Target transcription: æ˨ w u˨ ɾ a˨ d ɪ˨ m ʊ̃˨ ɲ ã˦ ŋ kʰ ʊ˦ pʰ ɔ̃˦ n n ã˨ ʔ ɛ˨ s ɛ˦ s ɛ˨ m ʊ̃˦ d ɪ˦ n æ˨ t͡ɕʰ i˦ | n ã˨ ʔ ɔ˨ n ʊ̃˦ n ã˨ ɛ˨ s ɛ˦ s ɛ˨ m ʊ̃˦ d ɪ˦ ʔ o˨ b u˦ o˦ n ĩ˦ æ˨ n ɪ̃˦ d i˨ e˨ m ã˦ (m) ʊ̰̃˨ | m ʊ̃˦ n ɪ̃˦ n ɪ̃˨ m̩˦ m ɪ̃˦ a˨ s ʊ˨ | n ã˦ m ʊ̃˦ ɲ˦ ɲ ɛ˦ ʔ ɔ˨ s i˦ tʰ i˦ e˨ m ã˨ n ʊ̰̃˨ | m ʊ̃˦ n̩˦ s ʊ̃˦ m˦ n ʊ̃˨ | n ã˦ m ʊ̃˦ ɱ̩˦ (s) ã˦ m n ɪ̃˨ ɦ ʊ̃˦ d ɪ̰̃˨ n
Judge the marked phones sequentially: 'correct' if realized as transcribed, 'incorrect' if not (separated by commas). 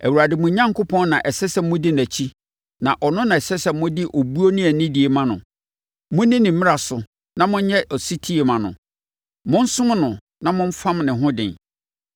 incorrect, incorrect